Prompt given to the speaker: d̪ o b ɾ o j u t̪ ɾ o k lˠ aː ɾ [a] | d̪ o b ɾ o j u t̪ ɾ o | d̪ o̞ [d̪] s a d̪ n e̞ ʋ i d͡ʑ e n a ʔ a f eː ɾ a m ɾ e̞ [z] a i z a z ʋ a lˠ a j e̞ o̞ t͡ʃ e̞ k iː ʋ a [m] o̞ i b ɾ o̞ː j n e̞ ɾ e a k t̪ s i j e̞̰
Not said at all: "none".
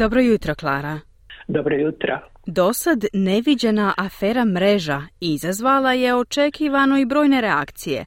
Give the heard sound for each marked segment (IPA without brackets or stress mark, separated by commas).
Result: a, none, ʒ, n